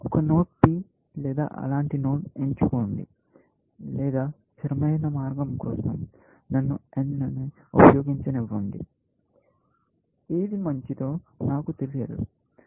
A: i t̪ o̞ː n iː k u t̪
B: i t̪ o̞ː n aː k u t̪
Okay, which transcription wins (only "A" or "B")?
B